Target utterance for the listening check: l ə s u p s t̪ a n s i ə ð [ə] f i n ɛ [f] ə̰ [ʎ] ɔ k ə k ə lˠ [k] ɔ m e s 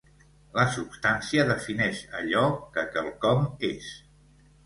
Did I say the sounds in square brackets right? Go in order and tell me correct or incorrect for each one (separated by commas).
correct, incorrect, correct, correct